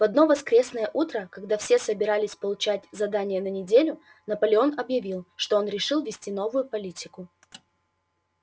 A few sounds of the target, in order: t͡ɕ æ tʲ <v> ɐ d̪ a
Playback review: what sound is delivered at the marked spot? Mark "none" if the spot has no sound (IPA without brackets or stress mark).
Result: z